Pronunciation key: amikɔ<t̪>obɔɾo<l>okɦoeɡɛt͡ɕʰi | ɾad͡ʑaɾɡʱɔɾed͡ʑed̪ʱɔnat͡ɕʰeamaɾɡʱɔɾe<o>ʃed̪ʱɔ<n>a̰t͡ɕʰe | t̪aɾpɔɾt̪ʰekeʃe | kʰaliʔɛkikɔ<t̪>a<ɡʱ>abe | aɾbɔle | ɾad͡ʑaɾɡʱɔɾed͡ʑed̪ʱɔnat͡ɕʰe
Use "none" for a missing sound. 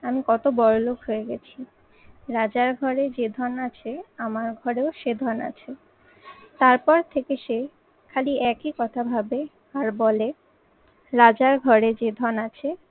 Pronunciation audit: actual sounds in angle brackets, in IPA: t̪, l, o, n, t̪ʰ, bʱ

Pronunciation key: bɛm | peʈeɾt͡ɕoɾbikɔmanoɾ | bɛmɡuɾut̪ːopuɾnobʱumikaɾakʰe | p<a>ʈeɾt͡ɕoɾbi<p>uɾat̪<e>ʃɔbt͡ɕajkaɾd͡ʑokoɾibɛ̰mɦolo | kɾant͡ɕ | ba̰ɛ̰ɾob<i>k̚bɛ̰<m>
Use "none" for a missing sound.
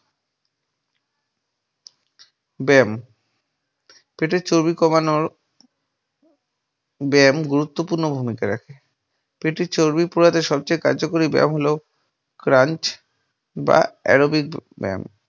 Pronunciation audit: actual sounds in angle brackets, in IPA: e, p, e, i, m

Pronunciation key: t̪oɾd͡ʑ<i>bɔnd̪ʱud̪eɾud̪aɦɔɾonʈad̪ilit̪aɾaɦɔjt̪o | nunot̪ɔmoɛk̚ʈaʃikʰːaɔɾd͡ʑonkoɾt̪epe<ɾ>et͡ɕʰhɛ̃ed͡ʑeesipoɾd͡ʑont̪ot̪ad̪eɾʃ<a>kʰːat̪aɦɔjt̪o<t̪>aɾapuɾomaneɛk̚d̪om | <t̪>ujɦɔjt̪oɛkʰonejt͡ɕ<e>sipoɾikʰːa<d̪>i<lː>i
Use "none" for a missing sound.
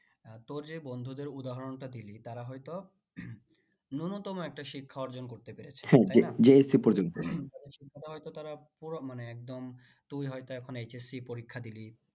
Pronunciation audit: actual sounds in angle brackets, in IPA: e, ɾ, i, t̪, t̪, e, d̪, l

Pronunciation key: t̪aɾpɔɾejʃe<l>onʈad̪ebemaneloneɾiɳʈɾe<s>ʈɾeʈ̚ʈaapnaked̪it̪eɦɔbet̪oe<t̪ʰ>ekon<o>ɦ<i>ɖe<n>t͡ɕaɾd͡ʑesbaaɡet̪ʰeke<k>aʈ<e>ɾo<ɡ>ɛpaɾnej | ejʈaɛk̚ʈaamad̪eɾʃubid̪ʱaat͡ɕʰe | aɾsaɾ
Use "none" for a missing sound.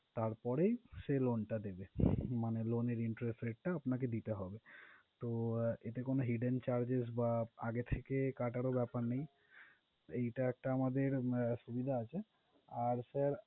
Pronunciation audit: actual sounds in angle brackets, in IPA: l, s, t̪, o, i, n, k, a, b

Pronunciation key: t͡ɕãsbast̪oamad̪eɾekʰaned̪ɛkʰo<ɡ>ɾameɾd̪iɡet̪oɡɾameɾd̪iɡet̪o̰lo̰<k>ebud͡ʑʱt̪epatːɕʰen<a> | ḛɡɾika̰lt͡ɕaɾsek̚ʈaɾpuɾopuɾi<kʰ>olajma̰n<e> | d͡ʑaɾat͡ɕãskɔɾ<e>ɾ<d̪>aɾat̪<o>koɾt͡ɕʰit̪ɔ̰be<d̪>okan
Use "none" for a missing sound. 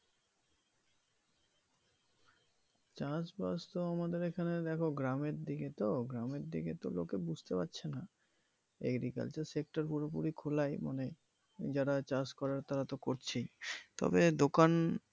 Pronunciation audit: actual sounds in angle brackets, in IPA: ɡ, k, a, kʰ, e, a, t̪, o, d̪

